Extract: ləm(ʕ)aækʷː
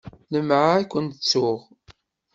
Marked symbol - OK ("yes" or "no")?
yes